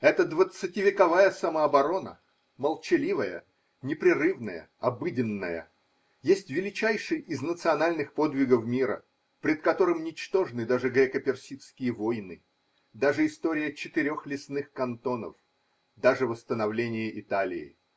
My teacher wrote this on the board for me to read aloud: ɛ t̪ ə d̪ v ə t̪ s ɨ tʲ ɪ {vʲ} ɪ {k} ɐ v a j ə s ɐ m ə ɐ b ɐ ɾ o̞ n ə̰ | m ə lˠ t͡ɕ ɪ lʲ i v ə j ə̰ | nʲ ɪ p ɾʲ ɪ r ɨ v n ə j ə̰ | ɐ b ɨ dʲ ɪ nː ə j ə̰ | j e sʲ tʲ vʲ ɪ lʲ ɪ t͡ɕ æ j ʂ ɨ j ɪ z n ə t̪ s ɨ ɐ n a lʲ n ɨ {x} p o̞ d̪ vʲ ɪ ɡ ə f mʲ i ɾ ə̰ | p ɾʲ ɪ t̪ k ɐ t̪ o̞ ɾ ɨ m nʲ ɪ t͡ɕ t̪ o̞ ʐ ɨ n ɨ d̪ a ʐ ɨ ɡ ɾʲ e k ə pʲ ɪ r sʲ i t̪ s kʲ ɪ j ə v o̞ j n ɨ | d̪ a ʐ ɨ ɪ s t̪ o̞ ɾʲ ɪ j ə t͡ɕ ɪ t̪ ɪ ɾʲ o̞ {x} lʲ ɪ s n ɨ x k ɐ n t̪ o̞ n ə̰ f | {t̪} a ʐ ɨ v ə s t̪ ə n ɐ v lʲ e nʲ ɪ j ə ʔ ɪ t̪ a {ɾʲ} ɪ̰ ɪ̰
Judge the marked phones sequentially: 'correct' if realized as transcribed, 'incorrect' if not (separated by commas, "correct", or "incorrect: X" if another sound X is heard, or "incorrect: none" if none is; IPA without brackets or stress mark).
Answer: correct, correct, correct, correct, incorrect: d̪, incorrect: lʲ